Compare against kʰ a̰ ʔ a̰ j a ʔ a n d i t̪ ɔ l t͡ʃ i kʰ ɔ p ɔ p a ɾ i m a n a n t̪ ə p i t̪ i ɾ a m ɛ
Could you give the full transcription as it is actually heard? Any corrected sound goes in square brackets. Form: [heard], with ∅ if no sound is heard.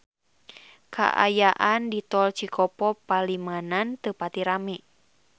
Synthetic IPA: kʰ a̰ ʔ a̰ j a ʔ a n d i t̪ ɔ l t͡ʃ i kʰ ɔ p ɔ p a [l] i m a n a n t̪ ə p [a] t̪ i ɾ a m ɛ

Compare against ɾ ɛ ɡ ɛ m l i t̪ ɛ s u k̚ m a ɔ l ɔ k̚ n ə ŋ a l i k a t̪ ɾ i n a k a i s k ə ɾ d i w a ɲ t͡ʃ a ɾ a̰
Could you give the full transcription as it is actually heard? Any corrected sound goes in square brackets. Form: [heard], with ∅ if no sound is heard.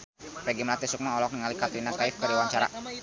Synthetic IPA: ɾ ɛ ɡ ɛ m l [a] t̪ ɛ s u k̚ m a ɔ l ɔ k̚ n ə ŋ a l i k a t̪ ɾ i n a k a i [f] k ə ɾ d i w a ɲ t͡ʃ a ɾ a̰

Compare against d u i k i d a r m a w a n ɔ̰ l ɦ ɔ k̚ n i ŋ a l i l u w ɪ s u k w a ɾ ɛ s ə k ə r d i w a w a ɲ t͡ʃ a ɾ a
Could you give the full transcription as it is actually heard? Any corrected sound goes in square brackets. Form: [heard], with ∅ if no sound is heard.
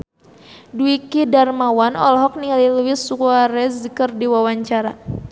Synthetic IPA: d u i k i d a r m a w a n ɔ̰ l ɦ ɔ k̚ n i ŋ a l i l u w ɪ s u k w a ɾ ɛ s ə k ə r d i w a w a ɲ t͡ʃ a ɾ a

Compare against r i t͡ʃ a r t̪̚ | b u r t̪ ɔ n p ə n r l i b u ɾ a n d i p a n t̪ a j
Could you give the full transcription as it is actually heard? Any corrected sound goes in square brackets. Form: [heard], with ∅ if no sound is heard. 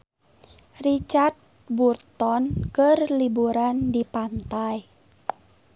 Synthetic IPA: r i t͡ʃ a r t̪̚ | b u r t̪ ɔ n [k] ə [∅] r l i b u ɾ a n d i p a n t̪ a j

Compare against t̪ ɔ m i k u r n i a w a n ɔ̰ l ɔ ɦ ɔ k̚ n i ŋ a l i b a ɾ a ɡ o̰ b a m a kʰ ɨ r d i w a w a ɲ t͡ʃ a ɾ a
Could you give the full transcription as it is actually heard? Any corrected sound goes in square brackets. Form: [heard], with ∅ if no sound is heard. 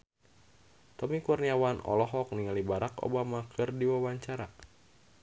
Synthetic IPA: t̪ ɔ m i k u r n i a w a n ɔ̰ l ɔ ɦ ɔ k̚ n i ŋ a l i b a ɾ a [k] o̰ b a m a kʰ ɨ r d i w a w a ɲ t͡ʃ a ɾ a

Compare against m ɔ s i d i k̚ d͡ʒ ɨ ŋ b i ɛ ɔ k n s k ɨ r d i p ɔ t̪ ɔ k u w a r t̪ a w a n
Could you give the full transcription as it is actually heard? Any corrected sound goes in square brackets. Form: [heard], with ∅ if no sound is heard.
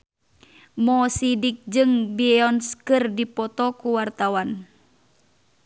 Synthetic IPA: m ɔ s i d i k̚ d͡ʒ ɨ ŋ b i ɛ ɔ [∅] n s k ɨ r d i p ɔ t̪ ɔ k u w a r t̪ a w a n

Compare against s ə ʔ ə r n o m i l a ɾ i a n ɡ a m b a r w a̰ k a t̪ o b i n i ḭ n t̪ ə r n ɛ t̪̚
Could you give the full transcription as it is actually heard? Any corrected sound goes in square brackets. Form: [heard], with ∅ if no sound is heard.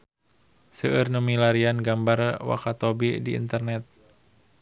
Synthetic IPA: s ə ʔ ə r n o m i l a ɾ i a n ɡ a m b a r w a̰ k a t̪ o b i [d] i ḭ n t̪ ə r n ɛ t̪̚

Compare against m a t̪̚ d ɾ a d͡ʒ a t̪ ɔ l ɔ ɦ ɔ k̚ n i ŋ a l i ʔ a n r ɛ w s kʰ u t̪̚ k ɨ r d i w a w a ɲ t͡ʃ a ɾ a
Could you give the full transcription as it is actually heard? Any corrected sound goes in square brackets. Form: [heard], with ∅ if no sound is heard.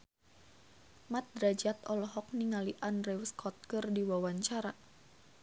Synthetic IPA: m a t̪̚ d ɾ a d͡ʒ a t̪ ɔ l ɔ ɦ ɔ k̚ n i ŋ a l i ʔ a n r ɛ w s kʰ [ɔ] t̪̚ k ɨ r d i w a w a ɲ t͡ʃ a ɾ a

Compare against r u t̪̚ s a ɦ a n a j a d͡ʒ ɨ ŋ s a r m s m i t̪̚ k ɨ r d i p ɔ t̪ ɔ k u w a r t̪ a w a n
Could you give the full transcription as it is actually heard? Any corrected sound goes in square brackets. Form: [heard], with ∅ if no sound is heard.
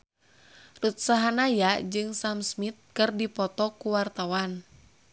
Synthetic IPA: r u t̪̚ s a ɦ a n a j a d͡ʒ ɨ ŋ s a [∅] m s m i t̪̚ k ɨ r d i p ɔ t̪ ɔ k u w a r t̪ a w a n

